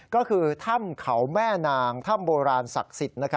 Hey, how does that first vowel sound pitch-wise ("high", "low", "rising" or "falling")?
falling